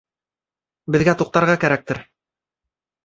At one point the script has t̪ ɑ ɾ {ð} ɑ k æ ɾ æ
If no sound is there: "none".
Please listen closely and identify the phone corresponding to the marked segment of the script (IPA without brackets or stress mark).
ʁ